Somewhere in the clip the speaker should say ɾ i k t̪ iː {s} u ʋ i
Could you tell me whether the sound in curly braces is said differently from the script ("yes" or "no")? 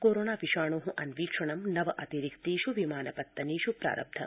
yes